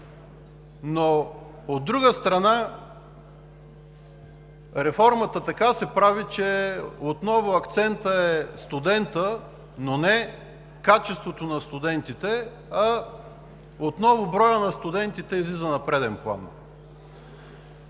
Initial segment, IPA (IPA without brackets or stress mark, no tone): n